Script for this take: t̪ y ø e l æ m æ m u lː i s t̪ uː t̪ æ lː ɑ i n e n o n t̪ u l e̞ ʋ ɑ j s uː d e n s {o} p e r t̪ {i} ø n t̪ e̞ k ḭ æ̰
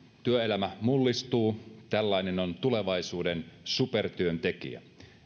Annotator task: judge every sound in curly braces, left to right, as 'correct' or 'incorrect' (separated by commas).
incorrect, incorrect